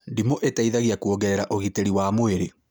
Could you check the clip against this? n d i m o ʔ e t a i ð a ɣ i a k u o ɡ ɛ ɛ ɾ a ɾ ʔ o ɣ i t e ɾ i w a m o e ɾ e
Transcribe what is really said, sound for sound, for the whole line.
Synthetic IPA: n d i m o ʔ e t a i ð a ɣ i a k u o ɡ ɛ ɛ ɾ a ʔ o ɣ i t e ɾ i w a m o e ɾ e